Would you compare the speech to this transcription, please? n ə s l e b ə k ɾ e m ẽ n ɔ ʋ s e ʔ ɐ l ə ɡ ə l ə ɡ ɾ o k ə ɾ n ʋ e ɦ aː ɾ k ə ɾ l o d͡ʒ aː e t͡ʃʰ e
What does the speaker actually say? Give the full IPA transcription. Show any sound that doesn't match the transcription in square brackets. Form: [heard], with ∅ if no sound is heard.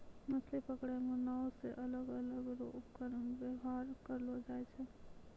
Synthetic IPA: [m] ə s l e [p] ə k [ɽ] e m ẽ n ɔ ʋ s e ʔ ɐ l ə ɡ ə l ə ɡ ɾ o k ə ɾ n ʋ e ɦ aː ɾ k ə ɾ l o d͡ʒ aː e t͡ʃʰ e